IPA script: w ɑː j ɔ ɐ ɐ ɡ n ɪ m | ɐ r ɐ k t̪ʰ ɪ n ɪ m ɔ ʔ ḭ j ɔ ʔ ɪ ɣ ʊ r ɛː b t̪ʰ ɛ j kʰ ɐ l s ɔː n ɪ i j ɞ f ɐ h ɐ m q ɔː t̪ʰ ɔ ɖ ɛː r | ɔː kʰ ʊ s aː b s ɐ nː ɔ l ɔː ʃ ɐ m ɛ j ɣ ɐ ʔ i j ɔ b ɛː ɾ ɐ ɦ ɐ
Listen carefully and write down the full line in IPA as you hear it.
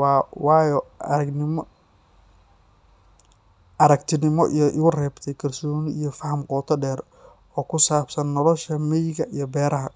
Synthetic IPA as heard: w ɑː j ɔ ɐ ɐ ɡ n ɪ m | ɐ ɾ ɐ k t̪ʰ ɪ n ɪ m ɔ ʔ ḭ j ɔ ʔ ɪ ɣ ʊ r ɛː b t̪ʰ ɛ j kʰ ɐ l s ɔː n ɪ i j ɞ f ɐ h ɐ m q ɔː t̪ʰ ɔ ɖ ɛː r | ɔː kʰ ʊ s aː b s ɐ nː ɔ l ɔ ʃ ɐ m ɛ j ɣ ɐ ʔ i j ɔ b ɛː ɾ ɐ ɦ ɐ